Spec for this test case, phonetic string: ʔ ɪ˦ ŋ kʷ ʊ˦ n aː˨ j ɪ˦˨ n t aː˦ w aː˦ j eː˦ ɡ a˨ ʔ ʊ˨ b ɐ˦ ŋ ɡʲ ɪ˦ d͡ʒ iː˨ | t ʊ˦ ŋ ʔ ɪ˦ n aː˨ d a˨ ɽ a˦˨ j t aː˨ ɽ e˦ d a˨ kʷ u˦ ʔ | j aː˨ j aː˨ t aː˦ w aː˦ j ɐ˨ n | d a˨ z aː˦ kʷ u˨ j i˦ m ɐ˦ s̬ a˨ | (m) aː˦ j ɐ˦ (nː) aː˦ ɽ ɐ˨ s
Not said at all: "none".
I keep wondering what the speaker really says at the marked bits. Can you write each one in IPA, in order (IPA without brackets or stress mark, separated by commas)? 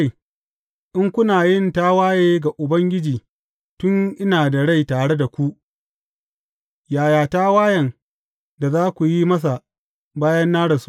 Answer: b, nː